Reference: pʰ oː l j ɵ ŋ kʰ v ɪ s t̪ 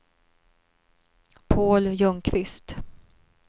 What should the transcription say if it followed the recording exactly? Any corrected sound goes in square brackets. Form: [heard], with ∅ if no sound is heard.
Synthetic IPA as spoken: pʰ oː l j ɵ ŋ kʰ v ɪ s t̪